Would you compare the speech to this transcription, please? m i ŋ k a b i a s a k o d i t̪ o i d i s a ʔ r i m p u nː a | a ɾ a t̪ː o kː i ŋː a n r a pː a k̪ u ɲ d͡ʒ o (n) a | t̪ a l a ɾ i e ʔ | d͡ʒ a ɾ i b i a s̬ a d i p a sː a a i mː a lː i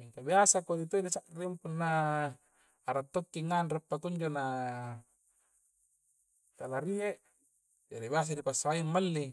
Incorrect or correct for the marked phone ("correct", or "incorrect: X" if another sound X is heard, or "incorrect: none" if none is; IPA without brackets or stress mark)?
correct